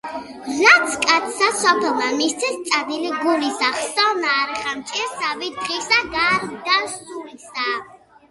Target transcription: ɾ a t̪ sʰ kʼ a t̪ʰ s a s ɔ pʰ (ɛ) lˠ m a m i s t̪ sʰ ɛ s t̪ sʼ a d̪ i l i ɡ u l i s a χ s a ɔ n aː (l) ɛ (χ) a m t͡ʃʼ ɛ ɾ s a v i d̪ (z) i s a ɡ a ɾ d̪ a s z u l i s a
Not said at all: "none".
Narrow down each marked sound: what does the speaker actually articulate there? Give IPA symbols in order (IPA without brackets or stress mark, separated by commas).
ɛ, ɾ, χ, ʁ